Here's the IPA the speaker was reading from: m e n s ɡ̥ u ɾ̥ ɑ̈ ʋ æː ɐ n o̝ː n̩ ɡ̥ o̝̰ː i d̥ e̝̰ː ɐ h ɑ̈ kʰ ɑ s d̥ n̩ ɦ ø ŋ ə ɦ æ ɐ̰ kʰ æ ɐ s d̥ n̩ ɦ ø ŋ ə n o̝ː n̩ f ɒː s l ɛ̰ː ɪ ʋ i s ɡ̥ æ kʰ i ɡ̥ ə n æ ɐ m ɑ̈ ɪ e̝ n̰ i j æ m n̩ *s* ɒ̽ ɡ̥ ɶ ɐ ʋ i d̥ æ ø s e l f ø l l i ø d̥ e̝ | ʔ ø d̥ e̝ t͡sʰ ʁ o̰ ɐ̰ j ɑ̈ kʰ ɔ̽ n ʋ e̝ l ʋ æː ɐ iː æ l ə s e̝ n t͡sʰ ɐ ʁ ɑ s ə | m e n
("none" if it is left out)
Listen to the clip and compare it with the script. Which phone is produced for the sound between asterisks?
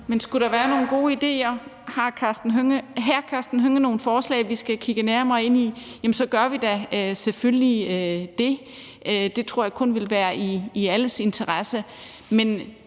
s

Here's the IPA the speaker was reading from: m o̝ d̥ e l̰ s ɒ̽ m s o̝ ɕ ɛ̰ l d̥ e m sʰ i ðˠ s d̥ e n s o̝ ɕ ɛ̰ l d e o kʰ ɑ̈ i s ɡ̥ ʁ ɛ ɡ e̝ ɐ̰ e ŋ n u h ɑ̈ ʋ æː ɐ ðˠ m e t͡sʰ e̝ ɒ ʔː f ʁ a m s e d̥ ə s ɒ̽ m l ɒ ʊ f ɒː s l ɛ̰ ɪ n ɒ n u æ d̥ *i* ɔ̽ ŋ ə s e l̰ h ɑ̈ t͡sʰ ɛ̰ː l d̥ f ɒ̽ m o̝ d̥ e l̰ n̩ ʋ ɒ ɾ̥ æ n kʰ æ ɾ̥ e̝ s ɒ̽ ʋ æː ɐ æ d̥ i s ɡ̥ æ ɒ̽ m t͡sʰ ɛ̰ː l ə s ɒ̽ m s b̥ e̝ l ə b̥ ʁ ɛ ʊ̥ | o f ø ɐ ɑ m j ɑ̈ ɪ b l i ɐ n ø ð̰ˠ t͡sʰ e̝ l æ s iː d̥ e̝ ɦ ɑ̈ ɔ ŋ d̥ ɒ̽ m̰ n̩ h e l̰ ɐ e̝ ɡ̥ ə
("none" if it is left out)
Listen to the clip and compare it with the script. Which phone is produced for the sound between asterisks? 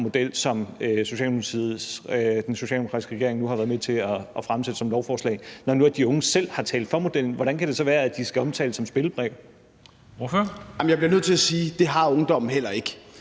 i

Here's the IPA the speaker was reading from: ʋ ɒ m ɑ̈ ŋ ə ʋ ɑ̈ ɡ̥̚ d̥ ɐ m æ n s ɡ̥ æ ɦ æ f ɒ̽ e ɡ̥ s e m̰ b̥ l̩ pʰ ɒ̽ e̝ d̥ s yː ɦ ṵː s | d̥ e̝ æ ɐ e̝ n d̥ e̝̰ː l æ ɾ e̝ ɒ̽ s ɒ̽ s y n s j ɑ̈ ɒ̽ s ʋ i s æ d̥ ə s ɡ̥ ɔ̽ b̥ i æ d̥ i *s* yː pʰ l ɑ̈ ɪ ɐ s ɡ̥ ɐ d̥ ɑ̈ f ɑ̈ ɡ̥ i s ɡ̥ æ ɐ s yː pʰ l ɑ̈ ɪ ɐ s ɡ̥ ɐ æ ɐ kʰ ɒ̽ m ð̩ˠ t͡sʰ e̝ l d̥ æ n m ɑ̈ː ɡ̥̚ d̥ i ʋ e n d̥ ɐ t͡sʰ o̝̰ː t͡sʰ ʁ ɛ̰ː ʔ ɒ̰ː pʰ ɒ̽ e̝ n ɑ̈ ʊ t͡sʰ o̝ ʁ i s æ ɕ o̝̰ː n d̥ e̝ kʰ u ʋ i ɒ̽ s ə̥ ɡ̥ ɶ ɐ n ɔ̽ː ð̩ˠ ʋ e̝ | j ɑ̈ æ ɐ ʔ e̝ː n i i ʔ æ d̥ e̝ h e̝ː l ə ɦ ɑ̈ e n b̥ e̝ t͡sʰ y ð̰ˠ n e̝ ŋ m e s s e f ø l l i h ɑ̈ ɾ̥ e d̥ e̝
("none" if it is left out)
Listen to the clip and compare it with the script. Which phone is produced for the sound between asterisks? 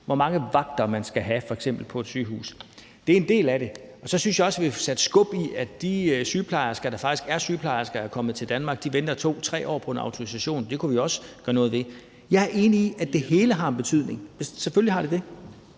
s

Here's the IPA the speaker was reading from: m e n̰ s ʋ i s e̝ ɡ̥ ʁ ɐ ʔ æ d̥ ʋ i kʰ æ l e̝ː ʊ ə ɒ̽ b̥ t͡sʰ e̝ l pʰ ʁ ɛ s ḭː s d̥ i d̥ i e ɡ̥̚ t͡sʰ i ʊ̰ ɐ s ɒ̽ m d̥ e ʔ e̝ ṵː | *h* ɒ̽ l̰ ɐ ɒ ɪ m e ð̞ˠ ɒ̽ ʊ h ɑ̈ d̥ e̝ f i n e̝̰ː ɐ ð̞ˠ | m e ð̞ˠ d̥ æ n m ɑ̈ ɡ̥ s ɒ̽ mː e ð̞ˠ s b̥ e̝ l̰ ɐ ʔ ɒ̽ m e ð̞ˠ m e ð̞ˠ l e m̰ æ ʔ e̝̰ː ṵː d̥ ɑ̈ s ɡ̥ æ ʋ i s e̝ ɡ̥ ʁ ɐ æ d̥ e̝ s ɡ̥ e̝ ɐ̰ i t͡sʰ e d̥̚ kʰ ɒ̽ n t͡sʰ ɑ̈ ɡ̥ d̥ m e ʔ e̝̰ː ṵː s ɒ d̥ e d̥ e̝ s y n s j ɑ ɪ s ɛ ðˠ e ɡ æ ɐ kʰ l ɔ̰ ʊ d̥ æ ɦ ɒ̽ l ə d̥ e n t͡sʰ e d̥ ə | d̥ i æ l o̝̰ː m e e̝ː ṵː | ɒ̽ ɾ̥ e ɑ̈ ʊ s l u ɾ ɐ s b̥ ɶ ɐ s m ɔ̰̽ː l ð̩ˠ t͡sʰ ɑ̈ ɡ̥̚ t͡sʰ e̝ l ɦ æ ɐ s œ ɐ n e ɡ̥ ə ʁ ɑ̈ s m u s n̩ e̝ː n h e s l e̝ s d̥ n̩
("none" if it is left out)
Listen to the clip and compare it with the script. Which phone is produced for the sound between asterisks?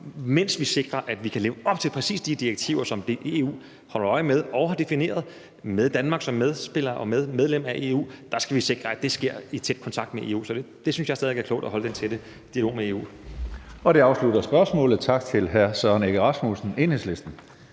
h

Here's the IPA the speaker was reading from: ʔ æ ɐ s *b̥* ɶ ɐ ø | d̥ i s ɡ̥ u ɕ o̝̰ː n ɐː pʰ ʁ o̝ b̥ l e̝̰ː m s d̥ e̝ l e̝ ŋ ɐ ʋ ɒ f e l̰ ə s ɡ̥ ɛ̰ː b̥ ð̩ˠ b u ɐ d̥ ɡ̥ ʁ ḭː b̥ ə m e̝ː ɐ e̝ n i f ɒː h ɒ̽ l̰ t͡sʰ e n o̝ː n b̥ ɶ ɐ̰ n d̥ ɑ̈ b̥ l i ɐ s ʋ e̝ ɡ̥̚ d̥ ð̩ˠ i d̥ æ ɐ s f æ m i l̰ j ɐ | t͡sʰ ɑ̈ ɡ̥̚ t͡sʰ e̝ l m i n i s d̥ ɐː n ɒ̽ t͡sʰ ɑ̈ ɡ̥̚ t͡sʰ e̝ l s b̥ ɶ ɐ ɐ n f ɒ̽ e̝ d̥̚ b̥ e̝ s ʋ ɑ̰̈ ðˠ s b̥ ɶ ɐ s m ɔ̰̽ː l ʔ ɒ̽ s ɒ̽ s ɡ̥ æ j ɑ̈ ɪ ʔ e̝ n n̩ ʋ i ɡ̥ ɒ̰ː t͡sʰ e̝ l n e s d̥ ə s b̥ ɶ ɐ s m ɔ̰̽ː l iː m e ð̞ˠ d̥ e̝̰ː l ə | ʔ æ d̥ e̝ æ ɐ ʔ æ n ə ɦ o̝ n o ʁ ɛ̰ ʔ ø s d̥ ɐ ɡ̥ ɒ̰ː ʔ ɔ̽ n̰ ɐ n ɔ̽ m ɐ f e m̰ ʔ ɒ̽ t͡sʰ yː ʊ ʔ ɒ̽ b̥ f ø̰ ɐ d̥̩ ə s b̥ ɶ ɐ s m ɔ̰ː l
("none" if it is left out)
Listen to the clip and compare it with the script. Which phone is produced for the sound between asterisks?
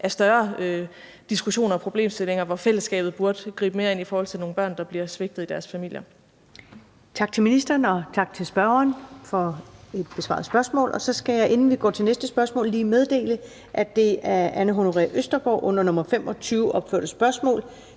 d̥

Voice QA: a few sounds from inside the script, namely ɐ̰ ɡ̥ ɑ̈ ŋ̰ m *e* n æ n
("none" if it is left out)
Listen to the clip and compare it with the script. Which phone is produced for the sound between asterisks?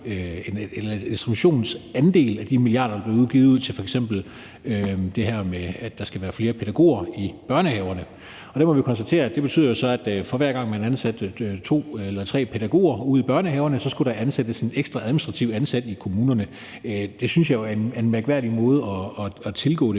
æ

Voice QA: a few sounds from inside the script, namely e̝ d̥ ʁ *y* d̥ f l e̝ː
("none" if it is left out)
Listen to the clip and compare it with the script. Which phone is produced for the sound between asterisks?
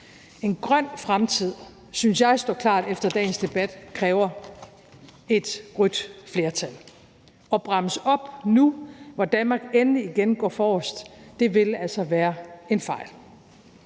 y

